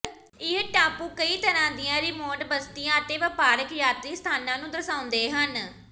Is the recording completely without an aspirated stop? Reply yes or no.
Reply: no